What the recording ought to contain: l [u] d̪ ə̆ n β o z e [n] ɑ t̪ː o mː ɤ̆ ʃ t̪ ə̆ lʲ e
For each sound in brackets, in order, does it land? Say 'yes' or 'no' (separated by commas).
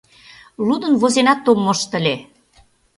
yes, yes